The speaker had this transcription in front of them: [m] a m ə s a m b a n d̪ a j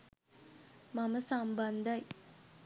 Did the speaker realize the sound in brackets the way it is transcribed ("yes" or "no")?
yes